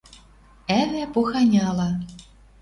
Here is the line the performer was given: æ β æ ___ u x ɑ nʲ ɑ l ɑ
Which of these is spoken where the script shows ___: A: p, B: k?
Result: A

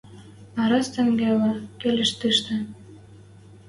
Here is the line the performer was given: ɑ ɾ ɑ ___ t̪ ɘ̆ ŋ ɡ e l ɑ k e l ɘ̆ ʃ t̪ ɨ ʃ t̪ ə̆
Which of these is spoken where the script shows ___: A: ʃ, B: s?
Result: B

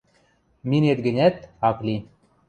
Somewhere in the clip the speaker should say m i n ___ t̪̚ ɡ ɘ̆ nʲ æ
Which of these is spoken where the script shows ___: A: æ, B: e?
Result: B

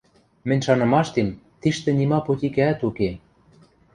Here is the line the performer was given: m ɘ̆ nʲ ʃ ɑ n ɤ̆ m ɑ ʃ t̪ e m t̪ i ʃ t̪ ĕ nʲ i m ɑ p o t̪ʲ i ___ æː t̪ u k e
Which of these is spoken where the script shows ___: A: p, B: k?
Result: B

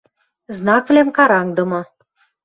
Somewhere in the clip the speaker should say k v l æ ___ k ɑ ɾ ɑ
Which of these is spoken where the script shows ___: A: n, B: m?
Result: B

